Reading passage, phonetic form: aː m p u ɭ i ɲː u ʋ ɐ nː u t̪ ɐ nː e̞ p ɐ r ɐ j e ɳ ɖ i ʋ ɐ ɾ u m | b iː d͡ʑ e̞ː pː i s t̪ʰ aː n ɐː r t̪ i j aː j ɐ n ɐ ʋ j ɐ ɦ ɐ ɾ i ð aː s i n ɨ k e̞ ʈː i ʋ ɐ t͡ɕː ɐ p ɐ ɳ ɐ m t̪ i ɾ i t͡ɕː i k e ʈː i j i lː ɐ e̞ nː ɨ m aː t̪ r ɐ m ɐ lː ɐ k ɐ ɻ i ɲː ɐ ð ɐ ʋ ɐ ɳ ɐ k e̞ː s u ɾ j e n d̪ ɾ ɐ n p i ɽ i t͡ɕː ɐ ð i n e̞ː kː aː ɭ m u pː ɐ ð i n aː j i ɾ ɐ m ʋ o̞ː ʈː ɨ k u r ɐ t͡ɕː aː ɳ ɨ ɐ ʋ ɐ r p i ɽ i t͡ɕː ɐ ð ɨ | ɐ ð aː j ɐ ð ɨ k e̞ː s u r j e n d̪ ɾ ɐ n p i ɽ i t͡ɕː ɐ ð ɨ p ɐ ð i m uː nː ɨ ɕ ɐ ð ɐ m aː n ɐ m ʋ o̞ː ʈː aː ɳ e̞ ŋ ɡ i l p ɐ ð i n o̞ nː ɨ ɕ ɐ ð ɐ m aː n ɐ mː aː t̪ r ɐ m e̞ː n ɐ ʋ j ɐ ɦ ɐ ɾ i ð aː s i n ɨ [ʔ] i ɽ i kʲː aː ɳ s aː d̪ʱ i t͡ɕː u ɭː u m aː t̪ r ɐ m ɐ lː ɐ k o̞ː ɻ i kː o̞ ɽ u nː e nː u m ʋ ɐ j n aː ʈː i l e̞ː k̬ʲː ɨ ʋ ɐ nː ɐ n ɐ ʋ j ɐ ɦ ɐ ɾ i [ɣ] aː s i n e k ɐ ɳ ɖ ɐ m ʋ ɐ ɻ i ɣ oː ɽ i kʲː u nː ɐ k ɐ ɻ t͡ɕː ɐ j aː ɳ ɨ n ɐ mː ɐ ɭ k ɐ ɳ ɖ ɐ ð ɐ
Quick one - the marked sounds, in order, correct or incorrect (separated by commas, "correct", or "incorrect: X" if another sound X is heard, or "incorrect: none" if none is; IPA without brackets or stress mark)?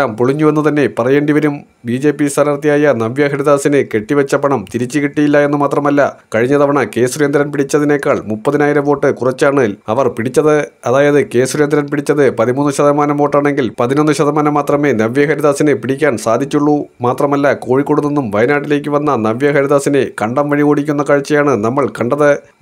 incorrect: p, incorrect: ð